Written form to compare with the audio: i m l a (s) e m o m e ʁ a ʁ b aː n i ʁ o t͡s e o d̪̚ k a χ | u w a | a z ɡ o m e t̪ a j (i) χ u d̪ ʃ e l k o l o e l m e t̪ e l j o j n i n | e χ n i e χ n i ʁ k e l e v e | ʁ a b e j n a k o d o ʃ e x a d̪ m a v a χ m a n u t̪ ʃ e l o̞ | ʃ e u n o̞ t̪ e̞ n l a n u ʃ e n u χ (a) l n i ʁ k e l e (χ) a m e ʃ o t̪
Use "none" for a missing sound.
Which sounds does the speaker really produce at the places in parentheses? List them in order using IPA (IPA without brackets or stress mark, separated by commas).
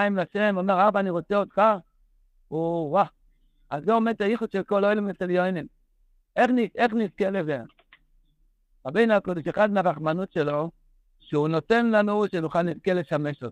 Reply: ʃ, i, a, ʃ